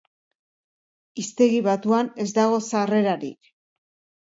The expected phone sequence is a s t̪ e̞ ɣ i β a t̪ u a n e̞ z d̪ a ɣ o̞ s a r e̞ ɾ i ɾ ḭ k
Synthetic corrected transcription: i s t̪ e̞ ɣ i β a t̪ u a n e̞ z d̪ a ɣ o̞ s a r e̞ ɾ a ɾ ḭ k